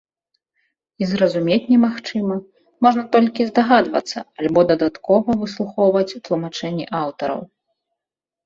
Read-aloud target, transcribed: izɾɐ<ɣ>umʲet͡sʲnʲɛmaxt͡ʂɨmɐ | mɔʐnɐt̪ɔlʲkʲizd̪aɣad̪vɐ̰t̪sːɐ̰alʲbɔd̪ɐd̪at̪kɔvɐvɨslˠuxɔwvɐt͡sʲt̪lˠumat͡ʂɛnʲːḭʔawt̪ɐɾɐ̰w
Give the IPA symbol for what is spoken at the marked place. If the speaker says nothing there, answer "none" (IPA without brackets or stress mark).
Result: z